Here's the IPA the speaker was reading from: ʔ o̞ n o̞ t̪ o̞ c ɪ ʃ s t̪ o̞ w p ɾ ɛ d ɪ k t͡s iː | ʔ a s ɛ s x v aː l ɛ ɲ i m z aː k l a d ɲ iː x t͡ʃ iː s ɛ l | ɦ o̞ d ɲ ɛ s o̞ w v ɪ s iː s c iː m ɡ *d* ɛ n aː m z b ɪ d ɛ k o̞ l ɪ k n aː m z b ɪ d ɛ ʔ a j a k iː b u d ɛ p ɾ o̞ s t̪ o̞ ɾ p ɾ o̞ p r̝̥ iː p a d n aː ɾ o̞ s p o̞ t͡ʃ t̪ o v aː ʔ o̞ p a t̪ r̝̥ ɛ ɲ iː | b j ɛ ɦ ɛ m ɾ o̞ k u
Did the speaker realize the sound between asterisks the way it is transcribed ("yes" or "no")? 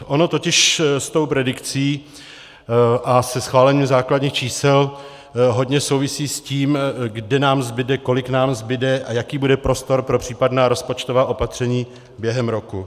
yes